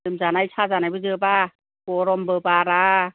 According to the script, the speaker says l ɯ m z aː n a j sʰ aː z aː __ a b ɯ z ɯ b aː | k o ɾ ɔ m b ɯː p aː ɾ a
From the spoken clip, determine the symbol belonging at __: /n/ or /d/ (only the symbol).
n